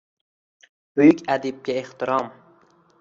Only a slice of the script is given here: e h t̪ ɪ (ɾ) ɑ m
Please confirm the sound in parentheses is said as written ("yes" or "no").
yes